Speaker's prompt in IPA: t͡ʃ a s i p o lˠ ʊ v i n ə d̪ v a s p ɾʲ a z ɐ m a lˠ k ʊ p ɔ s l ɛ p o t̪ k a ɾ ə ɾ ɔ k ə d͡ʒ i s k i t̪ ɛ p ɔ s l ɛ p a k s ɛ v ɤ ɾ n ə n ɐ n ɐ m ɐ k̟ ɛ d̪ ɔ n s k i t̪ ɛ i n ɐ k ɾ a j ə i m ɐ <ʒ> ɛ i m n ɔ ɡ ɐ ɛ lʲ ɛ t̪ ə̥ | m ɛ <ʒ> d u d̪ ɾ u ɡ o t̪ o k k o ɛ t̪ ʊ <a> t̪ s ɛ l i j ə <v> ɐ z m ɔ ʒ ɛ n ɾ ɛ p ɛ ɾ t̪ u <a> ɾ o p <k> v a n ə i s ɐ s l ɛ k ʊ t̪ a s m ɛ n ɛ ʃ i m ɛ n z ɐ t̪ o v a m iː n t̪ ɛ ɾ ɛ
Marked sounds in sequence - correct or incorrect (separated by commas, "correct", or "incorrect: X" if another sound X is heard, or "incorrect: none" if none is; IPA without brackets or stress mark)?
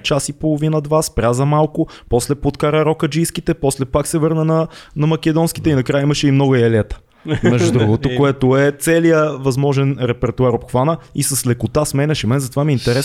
incorrect: ʃ, correct, incorrect: ɛ, correct, correct, incorrect: x